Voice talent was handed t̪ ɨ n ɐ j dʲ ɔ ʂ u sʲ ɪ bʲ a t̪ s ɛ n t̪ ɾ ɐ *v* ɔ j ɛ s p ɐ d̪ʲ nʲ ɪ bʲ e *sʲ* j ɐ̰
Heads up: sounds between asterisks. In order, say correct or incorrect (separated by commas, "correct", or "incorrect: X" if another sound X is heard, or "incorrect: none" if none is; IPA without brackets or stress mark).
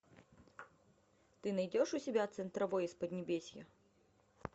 correct, correct